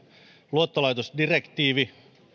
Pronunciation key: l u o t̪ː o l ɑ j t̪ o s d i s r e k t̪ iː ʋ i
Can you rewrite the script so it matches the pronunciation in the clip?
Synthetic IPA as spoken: l u o t̪ː o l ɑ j t̪ o s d i r e k t̪ iː ʋ i